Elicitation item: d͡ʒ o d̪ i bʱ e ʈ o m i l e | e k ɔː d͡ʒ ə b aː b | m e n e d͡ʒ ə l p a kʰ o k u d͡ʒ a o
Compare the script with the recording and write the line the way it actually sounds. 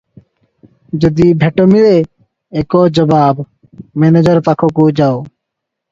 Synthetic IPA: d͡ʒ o d̪ i bʱ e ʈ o m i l e | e k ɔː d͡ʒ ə b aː b | m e n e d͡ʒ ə ɾ p a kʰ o k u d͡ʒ a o